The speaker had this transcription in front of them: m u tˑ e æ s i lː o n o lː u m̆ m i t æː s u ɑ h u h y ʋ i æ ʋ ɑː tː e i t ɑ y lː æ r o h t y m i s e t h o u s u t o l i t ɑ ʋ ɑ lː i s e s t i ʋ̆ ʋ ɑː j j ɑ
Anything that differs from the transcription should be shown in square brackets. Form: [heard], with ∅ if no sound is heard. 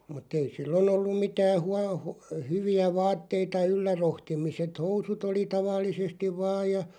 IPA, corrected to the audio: m u tˑ e [i] s i lː o n o lː u m̆ m i t æː [h] u ɑ h u h y ʋ i æ ʋ ɑː tː e i t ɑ y lː æ r o h t [i] m i s e t h o u s u t o l i t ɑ ʋ ɑ lː i s e s t i ʋ̆ ʋ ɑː j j ɑ